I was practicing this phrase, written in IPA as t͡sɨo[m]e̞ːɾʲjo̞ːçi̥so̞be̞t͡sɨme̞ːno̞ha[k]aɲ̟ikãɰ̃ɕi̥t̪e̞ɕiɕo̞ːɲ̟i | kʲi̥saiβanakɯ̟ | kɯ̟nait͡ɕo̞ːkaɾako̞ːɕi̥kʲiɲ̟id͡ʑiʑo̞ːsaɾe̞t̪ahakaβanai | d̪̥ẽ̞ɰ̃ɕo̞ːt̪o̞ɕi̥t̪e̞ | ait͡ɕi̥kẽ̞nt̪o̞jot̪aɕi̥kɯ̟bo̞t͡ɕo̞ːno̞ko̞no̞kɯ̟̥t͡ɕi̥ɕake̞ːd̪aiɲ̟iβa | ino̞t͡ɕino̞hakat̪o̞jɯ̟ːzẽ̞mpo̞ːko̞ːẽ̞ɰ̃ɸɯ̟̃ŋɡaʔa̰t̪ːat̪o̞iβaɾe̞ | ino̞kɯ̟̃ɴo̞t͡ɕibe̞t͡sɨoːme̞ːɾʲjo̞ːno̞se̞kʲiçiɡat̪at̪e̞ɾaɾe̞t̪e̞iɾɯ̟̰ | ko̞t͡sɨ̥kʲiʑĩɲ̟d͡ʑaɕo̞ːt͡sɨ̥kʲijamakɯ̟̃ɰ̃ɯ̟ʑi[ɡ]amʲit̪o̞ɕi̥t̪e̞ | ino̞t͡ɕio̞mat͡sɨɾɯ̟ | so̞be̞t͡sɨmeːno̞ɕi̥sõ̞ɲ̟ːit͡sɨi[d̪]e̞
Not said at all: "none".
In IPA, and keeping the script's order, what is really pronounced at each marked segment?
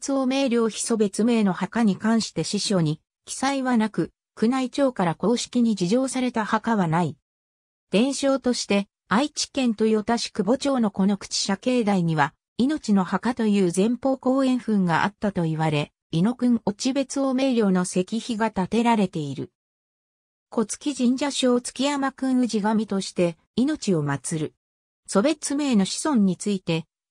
m, k, ɡ, t̪

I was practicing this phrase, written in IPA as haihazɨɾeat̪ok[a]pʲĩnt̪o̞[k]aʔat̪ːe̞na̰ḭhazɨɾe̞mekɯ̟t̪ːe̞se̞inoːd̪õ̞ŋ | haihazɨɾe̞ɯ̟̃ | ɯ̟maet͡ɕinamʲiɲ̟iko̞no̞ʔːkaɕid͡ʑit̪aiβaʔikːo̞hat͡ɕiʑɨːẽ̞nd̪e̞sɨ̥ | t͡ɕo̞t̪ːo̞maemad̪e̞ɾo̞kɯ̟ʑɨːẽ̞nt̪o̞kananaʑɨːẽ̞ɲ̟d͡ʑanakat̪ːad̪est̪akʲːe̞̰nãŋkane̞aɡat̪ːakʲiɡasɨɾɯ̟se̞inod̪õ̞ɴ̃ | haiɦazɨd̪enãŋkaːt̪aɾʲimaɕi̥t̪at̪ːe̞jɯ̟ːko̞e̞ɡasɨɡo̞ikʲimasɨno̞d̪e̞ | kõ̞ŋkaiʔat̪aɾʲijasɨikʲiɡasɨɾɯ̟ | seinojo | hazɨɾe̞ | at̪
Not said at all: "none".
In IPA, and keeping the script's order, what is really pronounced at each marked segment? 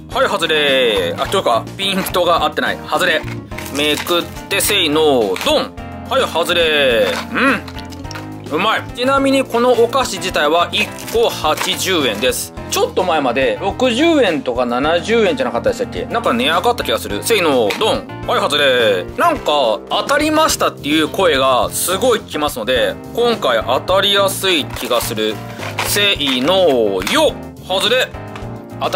a, ɡ

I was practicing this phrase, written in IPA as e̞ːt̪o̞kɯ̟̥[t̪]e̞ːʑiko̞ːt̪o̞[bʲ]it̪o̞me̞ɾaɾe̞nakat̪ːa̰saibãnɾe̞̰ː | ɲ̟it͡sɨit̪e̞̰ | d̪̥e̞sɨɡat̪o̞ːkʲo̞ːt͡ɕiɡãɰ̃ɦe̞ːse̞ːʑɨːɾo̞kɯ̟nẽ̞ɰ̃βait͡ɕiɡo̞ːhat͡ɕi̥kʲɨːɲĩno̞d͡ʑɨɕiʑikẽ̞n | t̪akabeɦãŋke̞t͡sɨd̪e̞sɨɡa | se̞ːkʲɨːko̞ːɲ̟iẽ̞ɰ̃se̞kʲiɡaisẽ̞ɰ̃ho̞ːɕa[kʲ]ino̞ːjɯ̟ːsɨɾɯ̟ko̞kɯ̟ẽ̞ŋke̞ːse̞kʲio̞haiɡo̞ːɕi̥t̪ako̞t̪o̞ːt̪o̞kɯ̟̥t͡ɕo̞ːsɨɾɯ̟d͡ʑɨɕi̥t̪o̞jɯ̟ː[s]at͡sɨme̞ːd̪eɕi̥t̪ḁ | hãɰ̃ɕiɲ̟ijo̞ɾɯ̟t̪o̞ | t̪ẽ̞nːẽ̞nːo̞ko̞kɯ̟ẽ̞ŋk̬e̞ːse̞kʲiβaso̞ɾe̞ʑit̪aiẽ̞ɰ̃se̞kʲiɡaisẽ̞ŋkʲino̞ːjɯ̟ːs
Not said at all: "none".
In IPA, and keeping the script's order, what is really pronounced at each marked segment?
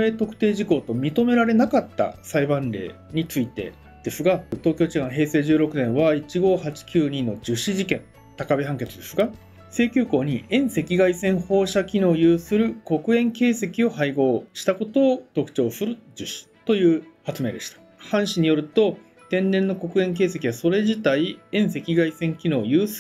t̪, mʲ, kʲ, h

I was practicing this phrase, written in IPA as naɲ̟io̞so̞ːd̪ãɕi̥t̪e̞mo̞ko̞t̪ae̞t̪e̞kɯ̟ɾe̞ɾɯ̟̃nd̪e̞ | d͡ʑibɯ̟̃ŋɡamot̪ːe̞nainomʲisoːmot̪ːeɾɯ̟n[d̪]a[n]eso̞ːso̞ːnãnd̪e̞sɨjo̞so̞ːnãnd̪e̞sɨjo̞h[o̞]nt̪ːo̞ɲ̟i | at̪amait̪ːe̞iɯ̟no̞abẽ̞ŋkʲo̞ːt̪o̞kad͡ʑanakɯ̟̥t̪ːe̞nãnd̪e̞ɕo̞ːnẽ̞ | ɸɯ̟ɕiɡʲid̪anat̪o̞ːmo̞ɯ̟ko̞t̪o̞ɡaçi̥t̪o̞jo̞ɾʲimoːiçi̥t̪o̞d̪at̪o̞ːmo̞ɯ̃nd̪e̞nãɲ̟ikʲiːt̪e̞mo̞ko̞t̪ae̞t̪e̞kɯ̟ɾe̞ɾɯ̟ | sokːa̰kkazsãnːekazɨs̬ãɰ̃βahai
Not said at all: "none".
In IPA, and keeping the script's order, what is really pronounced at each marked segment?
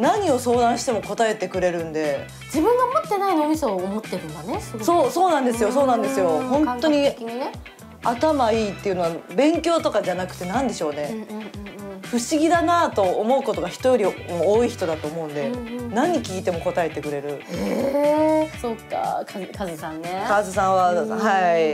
d̪, n, õ̞

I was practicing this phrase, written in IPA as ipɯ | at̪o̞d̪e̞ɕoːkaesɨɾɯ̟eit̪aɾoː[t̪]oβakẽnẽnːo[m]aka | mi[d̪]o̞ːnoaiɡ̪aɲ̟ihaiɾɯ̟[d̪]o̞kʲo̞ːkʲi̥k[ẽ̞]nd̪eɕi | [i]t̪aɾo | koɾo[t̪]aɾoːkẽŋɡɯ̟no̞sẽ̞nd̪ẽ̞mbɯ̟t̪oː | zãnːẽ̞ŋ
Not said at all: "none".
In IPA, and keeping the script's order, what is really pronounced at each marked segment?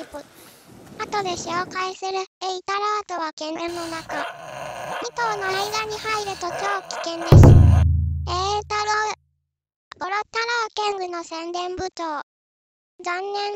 t̪, n, t̪, t̪, ẽ̞, e, t̪

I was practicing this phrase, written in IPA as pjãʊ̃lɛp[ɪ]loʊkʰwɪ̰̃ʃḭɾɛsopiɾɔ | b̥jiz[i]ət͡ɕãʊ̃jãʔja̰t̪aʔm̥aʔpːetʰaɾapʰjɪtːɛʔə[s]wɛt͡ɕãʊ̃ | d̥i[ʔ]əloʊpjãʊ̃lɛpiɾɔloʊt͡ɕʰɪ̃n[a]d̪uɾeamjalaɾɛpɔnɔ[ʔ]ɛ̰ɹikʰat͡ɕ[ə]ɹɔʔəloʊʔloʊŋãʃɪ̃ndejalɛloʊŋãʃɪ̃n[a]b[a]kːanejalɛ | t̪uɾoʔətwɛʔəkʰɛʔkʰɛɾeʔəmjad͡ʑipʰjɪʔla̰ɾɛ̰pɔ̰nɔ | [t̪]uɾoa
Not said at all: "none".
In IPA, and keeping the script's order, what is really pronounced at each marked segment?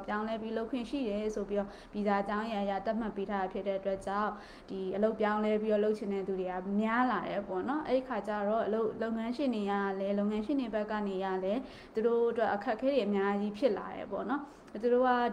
i, a, t, ʔ, ɛ, ʔ, a, e, ɛ, t̪

